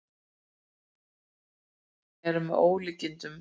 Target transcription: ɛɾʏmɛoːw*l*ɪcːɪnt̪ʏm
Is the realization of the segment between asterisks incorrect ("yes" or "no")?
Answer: no